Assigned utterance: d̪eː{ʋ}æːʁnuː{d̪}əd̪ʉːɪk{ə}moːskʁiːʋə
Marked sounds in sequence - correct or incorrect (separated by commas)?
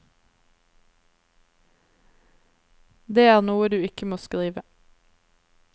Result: incorrect, incorrect, correct